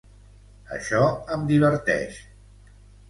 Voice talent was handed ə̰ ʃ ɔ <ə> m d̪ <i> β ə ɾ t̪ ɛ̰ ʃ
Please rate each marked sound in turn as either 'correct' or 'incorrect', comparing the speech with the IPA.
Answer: correct, correct

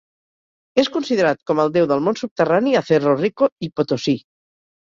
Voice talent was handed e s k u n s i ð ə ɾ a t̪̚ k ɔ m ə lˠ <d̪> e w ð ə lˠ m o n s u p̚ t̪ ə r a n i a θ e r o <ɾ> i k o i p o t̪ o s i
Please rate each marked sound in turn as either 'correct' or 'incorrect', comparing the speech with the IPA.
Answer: correct, incorrect

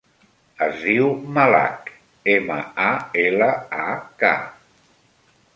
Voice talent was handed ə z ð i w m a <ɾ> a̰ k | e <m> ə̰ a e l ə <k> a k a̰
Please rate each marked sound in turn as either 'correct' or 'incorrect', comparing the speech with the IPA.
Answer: incorrect, correct, incorrect

